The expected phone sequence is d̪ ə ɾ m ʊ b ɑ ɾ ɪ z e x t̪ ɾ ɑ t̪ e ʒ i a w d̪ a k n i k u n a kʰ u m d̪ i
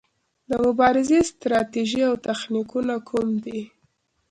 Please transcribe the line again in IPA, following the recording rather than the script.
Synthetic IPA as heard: d̪ ə m ʊ b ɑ ɾ ɪ z e s t̪ ɾ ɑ t̪ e ʒ i a w t̪ a x n i k u n a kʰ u m d̪ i